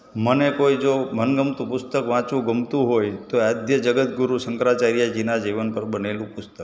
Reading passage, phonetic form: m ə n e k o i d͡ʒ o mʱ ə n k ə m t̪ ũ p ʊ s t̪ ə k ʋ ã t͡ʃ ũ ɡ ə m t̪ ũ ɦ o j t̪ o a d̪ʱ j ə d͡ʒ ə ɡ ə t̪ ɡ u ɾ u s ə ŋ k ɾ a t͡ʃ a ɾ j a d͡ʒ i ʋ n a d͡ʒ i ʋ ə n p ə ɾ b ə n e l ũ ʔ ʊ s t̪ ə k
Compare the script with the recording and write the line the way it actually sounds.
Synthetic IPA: m ə n e k o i d͡ʒ o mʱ ə n ɡ ə m t̪ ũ p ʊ s t̪ ə k ʋ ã t͡ʃ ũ ɡ ə m t̪ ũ ɦ o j t̪ o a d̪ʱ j ə d͡ʒ ə ɡ ə t̪ ɡ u ɾ u s ə ŋ k ɾ a t͡ʃ a ɾ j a d͡ʒ i n a d͡ʒ i ʋ ə n p ə ɾ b ə n e l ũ p ʊ s t̪ ə k